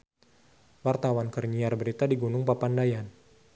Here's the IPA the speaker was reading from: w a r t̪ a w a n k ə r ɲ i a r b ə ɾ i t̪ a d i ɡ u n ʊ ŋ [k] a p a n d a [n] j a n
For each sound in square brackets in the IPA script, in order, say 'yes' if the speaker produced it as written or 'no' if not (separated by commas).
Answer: no, no